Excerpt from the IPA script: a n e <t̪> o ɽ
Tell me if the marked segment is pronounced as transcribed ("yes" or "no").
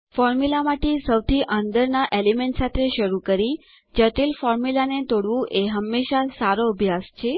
yes